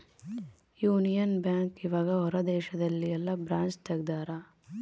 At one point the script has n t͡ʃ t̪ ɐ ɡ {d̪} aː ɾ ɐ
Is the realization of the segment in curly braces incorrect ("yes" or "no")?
no